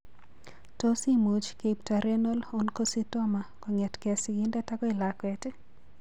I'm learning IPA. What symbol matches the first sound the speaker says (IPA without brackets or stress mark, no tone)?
t